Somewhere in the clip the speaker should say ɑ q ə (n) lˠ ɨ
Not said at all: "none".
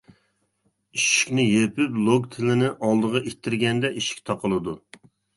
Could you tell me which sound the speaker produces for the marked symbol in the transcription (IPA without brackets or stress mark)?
none